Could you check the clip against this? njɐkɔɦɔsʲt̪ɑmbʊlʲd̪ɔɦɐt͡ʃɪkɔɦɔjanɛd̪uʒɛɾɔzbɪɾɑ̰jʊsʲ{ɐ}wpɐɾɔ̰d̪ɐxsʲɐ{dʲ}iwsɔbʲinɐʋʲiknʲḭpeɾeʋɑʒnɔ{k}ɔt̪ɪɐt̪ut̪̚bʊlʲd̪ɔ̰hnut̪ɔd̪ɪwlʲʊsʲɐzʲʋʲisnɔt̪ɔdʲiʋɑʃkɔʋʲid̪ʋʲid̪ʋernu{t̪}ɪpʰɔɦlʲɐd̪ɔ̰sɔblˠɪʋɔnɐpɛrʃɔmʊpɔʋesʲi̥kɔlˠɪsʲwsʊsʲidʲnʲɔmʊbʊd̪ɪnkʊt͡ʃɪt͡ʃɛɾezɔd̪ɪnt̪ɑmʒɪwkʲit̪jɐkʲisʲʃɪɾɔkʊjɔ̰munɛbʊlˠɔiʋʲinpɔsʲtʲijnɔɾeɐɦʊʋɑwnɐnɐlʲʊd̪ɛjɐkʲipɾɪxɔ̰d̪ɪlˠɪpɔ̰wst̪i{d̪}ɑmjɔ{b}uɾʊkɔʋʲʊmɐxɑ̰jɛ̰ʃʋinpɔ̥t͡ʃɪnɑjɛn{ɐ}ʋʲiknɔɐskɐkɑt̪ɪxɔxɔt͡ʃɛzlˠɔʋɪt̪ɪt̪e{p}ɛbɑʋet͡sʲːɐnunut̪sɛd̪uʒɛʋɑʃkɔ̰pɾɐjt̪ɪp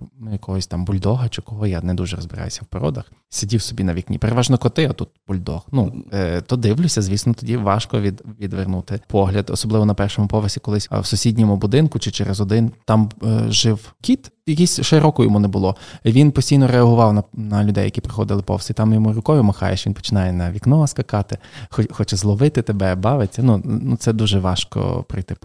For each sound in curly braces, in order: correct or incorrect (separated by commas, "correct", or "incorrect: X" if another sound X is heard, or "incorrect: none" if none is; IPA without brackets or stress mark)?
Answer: correct, correct, correct, correct, incorrect: t̪, incorrect: m, correct, incorrect: b